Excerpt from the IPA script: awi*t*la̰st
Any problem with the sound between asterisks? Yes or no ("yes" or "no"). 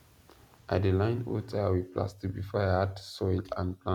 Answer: yes